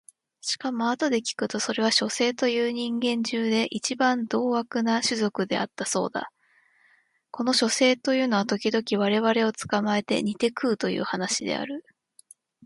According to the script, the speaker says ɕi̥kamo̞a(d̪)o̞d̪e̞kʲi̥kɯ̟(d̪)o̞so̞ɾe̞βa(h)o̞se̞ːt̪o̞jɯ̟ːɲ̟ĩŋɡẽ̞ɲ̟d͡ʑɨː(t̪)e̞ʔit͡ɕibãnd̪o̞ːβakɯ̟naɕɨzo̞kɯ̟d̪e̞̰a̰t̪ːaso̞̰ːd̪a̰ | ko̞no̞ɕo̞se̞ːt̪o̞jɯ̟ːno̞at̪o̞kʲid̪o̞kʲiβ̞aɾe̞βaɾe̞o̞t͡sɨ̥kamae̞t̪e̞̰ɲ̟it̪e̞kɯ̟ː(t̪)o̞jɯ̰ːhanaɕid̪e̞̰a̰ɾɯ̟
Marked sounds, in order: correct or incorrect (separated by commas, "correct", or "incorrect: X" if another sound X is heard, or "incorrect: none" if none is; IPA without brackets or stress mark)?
incorrect: t̪, incorrect: t̪, incorrect: ɕ, incorrect: d̪, correct